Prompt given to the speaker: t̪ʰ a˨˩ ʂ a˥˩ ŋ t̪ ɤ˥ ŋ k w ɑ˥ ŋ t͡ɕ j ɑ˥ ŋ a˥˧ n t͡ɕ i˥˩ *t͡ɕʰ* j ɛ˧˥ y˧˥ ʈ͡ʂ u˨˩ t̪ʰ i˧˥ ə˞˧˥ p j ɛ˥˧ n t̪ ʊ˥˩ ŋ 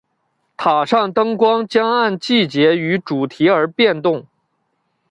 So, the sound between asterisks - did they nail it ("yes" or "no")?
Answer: no